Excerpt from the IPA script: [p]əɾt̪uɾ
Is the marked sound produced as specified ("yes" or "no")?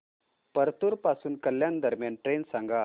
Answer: yes